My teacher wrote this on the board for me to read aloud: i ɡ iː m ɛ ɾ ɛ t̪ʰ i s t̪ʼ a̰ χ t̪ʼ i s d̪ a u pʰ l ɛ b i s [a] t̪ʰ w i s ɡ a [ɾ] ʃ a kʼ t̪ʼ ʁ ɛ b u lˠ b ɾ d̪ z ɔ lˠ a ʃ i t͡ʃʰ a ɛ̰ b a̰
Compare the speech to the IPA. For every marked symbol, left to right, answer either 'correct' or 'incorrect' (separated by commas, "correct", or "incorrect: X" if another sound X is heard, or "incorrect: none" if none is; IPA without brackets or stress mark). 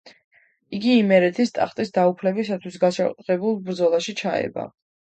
correct, incorrect: none